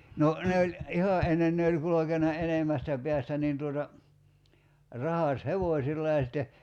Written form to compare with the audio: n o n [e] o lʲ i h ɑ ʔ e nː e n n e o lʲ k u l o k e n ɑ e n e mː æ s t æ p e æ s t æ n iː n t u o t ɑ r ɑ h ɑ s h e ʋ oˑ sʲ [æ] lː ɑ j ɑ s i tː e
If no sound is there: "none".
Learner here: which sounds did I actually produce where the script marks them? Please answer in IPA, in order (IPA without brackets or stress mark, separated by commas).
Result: e, i